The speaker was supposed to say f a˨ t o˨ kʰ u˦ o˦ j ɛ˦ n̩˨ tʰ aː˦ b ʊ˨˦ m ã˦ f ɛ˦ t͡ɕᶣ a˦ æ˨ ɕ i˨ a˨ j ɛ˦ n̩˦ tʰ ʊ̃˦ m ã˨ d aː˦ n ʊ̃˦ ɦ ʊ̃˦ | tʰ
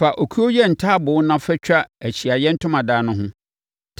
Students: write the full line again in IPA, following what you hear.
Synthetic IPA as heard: f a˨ ʔ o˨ kʰ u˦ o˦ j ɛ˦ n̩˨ tʰ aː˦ b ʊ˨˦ n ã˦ f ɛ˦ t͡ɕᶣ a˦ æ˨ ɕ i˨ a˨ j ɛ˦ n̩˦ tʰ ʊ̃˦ m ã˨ d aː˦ n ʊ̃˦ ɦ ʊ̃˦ | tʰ